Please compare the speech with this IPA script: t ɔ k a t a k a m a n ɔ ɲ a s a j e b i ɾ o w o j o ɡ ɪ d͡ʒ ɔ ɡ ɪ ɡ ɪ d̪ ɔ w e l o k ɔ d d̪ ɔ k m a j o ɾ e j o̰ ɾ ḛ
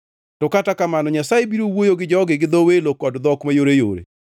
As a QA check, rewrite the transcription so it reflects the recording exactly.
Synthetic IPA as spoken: t ɔ k a t a k a m a n ɔ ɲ a s a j e b i ɾ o w o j o ɡ ɪ d͡ʒ ɔ ɡ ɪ ɡ ɪ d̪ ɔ w e l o k ɔ d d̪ ɔ k m a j o ɾ e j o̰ ɾ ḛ